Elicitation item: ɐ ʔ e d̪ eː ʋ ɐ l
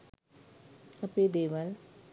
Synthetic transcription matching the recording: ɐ p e d̪ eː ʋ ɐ l